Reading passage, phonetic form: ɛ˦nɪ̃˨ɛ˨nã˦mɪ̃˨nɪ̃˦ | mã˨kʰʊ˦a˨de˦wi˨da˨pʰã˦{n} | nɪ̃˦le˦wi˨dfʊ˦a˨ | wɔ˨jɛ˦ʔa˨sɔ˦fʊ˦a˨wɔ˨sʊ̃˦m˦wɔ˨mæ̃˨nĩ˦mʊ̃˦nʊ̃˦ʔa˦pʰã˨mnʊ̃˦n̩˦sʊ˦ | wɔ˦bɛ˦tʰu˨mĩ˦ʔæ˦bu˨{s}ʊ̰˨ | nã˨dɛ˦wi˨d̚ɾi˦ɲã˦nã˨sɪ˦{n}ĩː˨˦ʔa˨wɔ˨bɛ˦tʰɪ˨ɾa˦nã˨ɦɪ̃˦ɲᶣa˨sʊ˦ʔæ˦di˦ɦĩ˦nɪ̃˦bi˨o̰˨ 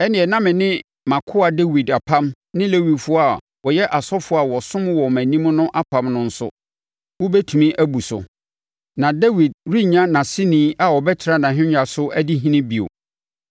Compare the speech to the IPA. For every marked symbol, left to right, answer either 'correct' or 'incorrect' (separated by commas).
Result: incorrect, correct, correct